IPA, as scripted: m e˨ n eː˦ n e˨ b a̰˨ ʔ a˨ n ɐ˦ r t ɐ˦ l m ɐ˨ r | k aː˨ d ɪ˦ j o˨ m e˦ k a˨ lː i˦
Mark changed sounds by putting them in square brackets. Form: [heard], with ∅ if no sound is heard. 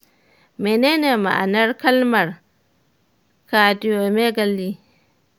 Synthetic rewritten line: m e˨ n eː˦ n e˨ [m] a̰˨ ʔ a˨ n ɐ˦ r [k] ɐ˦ l m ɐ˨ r | k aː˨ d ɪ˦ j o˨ m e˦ [ɡ] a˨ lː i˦